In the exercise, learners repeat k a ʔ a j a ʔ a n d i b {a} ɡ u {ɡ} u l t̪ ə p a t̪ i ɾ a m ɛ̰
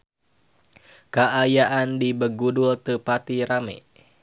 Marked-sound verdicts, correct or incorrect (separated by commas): incorrect, incorrect